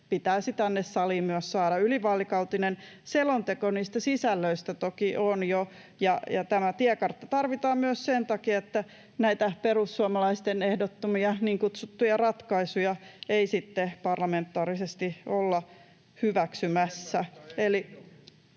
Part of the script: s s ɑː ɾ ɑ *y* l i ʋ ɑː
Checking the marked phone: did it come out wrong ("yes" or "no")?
no